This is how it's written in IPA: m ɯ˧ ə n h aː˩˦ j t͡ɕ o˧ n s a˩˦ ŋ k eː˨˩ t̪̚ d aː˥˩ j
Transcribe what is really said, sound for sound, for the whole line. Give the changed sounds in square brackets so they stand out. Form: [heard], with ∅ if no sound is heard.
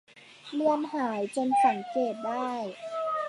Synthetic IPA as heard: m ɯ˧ ə [m] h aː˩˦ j t͡ɕ o˧ n s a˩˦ ŋ k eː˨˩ t̪̚ d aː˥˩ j